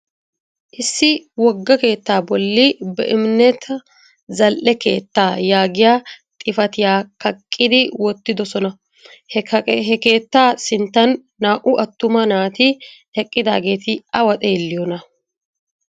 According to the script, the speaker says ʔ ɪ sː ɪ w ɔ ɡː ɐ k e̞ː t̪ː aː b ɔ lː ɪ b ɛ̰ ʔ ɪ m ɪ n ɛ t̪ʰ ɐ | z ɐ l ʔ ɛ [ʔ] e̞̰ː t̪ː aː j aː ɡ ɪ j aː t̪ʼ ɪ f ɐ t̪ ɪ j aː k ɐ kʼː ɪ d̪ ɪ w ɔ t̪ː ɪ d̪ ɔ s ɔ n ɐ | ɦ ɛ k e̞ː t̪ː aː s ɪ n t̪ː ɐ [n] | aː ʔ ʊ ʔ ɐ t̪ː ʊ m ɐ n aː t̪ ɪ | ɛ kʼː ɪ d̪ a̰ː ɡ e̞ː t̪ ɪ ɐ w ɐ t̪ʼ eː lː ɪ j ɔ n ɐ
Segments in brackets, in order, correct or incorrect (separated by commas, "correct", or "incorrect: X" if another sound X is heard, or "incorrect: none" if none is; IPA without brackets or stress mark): incorrect: k, incorrect: nː